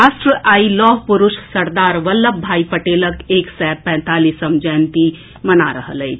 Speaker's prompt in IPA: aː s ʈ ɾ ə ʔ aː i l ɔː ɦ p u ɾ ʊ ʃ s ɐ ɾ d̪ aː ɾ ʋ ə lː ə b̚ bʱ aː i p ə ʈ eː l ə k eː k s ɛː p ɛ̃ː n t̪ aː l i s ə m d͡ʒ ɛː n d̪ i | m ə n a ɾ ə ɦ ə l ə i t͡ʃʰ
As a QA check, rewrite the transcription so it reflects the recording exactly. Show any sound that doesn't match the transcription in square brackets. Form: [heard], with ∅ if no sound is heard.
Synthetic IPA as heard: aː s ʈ ɾ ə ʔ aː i l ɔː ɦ p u ɾ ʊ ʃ s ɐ ɾ d̪ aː ɾ ʋ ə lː ə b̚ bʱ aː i p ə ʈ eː l ə k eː k s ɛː p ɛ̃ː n t̪ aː l i s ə m d͡ʒ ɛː n [t̪] i | m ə n a ɾ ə ɦ ə l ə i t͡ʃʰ